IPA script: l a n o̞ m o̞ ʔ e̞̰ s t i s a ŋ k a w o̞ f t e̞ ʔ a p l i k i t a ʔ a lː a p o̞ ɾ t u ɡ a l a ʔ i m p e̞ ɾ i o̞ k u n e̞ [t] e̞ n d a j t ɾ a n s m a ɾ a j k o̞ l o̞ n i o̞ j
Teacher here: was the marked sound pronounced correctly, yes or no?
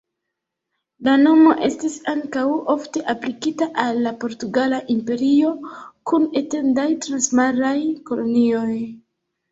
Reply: yes